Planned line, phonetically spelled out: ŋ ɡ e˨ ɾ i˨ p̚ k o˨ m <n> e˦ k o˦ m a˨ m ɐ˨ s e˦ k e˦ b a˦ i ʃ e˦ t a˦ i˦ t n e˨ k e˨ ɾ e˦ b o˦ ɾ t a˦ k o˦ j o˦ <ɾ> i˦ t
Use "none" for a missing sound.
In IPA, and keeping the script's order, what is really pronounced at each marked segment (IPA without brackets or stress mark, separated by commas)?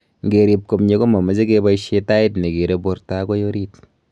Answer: ɲ, ɾ